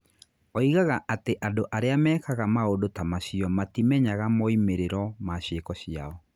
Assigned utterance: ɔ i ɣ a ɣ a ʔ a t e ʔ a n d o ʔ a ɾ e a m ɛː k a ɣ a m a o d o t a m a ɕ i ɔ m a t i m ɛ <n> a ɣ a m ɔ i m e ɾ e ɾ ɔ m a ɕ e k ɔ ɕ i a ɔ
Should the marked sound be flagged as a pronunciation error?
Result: yes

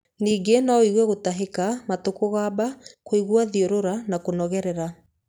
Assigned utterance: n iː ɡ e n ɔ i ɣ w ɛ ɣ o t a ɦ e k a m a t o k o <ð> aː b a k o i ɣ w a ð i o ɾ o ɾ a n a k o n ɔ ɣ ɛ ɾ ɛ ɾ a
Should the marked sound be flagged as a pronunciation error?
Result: yes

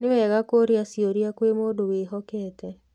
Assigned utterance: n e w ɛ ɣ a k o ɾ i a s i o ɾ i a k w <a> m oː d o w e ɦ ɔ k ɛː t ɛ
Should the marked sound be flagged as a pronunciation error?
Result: yes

